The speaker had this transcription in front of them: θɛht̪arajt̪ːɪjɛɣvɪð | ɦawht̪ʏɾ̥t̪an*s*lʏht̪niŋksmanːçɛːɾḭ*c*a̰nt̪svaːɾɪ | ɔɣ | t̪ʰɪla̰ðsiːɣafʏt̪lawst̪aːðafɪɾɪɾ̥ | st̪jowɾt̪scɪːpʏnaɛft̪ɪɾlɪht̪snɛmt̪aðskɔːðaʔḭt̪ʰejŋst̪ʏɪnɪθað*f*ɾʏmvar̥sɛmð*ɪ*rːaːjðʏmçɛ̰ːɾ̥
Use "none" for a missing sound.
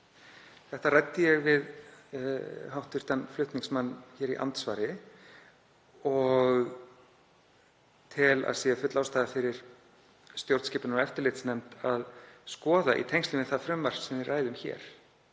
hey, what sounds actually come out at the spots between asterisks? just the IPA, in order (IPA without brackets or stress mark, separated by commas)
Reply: f, ʔ, f, ɪ